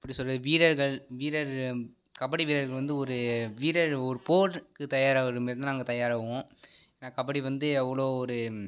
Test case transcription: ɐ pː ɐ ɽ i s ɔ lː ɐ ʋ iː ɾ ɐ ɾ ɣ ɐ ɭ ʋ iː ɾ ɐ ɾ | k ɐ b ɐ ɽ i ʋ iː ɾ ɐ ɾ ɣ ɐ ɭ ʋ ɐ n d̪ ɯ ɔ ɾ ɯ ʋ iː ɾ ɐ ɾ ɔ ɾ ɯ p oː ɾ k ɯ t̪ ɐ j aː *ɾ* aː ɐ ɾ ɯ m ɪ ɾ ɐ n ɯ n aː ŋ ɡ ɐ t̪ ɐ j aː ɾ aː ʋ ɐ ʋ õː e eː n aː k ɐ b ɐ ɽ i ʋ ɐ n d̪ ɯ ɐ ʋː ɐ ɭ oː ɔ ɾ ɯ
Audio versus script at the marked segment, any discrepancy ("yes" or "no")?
no